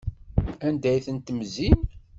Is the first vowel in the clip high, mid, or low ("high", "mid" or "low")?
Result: low